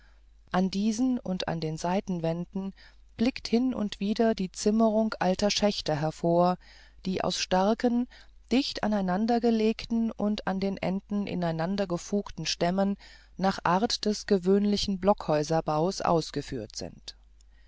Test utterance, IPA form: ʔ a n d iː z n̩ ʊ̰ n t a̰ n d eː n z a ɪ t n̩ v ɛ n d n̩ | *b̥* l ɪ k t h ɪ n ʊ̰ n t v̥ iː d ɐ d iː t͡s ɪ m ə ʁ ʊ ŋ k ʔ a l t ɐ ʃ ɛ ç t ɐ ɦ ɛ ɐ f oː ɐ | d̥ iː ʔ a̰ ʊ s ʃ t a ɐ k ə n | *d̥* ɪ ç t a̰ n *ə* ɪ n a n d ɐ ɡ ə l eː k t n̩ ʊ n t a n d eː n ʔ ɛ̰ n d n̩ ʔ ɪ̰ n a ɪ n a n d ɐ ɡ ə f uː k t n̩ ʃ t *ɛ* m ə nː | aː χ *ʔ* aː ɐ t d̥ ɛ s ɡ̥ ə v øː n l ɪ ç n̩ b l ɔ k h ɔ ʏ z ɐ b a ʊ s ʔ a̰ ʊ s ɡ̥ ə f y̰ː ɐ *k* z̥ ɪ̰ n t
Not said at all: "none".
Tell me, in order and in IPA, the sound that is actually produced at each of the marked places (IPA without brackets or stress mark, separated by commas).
b̥, d̥, a, ɛ, ʔ, t